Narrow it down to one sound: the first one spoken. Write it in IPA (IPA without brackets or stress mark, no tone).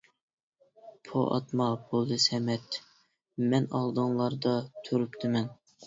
pʰ